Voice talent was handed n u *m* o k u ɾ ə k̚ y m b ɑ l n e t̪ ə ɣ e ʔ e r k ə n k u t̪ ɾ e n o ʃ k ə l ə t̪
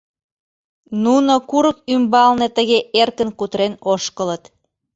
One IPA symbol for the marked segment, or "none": n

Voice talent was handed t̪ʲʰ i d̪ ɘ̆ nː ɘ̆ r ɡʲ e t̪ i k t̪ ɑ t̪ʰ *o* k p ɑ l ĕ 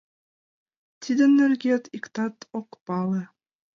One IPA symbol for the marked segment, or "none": o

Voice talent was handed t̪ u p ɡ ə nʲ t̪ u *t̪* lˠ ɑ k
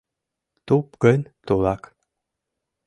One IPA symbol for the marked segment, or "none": none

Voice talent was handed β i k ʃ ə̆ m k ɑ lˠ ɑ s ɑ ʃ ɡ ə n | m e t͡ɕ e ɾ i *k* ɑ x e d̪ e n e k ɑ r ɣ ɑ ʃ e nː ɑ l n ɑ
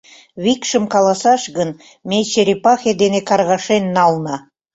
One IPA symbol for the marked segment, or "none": p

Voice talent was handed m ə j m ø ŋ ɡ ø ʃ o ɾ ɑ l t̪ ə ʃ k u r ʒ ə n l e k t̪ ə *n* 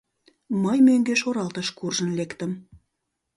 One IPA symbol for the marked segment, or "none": m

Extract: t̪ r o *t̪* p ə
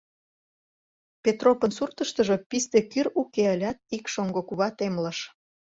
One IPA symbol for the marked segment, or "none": none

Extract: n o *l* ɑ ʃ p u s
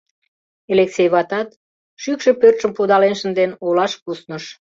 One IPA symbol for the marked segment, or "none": l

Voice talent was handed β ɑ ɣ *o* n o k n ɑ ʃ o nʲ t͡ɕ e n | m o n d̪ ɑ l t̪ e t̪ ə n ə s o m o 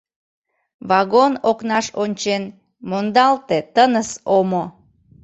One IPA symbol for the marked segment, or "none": o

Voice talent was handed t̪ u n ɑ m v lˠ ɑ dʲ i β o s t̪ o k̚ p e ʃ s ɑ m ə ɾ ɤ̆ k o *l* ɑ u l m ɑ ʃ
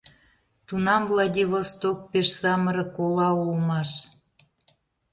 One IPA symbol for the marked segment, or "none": l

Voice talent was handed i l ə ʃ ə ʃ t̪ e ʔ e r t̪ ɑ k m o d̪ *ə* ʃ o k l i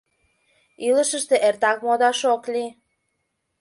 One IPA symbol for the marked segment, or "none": ɑ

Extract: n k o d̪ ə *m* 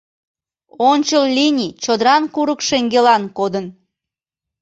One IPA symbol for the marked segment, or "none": n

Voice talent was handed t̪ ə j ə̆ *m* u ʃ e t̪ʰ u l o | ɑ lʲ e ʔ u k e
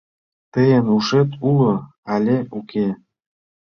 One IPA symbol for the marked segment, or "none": n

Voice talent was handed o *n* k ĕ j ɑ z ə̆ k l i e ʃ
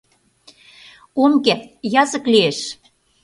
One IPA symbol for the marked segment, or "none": m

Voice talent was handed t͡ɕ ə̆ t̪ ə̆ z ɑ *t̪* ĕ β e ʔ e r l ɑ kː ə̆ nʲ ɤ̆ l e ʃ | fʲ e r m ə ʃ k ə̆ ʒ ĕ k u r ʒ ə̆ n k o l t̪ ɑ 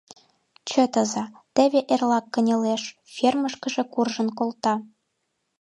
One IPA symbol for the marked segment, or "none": t̪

